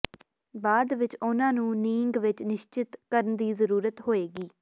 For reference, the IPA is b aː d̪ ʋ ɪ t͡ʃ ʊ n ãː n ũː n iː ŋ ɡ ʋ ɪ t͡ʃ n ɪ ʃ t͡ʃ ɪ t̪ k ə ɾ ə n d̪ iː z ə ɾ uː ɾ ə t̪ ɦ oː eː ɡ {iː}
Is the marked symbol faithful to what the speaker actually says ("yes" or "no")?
yes